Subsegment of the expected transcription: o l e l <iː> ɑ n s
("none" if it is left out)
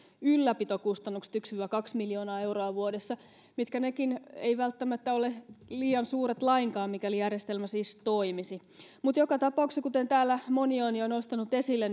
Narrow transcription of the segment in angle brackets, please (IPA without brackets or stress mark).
iː